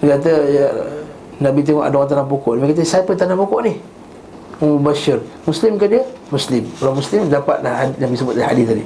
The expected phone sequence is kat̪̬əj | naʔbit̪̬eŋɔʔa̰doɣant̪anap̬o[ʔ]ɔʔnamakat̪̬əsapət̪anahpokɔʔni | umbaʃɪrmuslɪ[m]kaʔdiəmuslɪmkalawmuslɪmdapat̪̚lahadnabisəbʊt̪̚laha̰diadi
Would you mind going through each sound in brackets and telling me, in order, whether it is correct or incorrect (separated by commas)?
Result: incorrect, correct